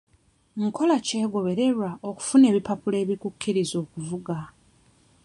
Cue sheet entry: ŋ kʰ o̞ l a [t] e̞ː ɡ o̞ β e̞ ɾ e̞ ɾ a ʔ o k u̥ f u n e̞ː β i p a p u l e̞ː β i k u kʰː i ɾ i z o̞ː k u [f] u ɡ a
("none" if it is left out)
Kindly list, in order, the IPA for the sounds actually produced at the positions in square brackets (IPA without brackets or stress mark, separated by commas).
c, v